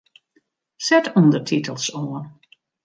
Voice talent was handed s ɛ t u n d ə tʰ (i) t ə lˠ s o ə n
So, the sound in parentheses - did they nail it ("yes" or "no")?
yes